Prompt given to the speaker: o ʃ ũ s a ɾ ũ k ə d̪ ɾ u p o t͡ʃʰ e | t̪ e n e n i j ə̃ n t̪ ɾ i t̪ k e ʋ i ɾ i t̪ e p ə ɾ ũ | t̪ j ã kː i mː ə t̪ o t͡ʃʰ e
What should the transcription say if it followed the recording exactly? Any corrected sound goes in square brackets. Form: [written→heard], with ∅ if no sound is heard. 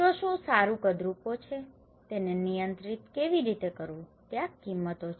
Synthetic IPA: o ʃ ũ s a ɾ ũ k ə d̪ ɾ u p o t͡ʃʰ e | t̪ e n e n i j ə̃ n t̪ ɾ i t̪ k e ʋ i ɾ i t̪ e [p→k] ə ɾ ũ | t̪ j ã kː i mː ə t̪ o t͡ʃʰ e